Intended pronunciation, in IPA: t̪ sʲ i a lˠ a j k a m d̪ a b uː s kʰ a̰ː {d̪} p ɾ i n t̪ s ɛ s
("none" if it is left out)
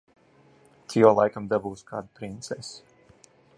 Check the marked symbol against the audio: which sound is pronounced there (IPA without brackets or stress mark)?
d̪